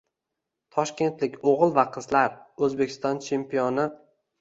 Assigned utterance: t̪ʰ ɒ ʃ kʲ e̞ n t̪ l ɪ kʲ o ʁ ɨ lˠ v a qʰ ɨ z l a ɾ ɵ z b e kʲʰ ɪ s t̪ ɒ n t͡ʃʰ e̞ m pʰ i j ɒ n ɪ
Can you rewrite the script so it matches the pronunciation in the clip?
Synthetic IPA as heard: t̪ʰ ɒ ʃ kʲ e̞ n t̪ l ɪ kʲ o ʁ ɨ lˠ v a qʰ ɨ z l a ɾ ɵ z b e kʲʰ ɪ s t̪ ɒ n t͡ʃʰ e̞ m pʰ i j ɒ n ɪ